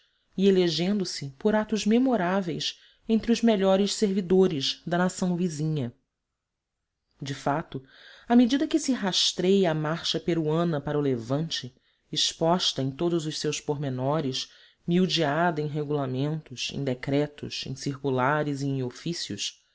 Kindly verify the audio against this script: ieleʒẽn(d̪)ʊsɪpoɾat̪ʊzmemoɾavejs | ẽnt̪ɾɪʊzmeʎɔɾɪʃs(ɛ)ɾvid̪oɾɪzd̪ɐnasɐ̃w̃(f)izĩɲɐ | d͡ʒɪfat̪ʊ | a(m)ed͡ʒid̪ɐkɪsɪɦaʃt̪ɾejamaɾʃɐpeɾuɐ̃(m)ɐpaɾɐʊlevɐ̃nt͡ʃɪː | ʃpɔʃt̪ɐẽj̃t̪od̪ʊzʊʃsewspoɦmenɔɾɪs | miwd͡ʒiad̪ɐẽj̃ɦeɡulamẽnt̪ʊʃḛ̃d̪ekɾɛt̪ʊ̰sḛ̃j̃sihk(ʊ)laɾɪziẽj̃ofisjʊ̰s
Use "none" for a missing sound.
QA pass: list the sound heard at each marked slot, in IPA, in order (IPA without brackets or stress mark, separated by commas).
d̪, e, v, m, n, u